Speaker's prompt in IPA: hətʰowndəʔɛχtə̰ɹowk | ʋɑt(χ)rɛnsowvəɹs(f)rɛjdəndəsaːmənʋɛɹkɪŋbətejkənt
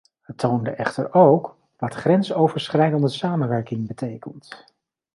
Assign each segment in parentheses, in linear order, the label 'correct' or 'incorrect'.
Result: correct, incorrect: χ

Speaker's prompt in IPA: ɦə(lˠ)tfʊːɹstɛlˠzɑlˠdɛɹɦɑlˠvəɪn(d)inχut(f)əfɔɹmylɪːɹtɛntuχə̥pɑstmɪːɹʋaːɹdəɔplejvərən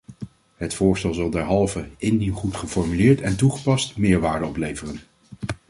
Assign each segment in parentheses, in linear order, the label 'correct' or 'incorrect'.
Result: incorrect: none, correct, incorrect: χ

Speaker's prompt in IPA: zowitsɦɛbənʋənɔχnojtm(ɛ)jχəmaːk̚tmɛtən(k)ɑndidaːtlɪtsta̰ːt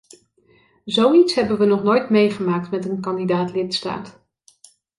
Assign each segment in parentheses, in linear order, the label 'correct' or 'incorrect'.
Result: incorrect: e, correct

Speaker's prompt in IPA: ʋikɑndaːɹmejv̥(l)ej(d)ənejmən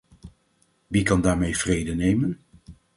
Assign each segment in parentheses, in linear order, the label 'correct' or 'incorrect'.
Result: incorrect: r, correct

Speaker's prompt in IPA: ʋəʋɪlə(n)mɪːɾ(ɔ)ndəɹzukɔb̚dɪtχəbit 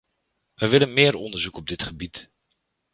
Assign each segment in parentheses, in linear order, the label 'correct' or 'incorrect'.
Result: correct, correct

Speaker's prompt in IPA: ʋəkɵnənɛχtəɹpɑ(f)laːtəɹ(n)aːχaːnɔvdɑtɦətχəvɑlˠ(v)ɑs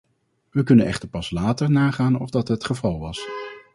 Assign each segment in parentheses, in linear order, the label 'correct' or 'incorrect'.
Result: incorrect: s, correct, incorrect: ʋ

